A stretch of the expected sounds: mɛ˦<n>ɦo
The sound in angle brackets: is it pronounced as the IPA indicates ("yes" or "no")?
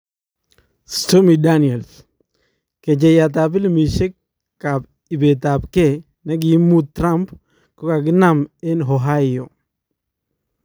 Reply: yes